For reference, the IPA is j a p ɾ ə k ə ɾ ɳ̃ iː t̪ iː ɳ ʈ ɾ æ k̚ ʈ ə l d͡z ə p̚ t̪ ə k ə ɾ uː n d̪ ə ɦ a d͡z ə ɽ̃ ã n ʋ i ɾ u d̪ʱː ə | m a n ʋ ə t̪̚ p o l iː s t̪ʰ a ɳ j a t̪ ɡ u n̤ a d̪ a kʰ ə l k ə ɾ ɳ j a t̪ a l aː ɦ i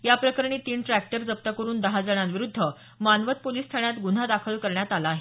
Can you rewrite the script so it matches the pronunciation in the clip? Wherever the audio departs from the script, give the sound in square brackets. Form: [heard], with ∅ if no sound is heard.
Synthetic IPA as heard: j a p ɾ ə k ə ɾ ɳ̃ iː t̪ iː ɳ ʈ ɾ æ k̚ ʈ ə [ɾ] d͡z ə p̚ t̪ ə k ə ɾ uː n d̪ ə ɦ a d͡z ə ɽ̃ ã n ʋ i ɾ u d̪ʱː ə | m a n ʋ ə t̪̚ p o l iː s t̪ʰ a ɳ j a t̪ ɡ u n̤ a d̪ a kʰ ə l k ə ɾ ɳ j a t̪ a l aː ɦ [e]